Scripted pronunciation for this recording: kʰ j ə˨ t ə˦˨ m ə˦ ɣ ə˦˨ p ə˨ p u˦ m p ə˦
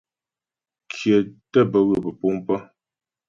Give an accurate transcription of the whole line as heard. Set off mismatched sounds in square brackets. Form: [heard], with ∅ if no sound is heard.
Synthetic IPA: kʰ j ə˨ t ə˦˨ [b] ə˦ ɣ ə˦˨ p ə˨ p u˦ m p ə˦